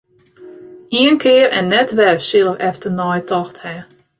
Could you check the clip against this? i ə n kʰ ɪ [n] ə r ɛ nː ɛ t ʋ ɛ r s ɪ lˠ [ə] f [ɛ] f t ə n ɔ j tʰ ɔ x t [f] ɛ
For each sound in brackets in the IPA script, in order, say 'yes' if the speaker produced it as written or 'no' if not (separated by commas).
no, yes, yes, no